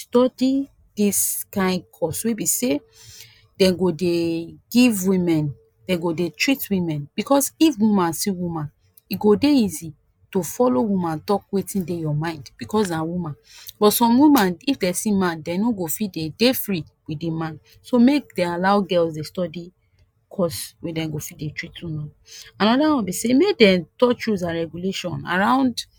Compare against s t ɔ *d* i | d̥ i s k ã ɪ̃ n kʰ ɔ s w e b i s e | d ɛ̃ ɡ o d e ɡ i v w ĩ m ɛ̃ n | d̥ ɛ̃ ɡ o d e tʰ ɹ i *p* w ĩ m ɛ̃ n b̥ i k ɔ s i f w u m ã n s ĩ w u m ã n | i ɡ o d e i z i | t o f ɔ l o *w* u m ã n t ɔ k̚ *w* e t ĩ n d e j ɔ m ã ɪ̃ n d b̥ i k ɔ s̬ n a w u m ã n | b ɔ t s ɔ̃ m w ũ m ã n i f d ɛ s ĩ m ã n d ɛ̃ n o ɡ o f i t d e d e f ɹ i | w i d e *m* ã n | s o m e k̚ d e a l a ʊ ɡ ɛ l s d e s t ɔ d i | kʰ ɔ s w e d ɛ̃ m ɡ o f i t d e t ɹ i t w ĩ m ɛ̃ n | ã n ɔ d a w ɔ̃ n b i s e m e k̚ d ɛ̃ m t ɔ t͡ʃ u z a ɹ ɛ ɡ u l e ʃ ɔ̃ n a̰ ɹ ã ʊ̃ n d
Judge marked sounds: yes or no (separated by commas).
yes, no, yes, yes, yes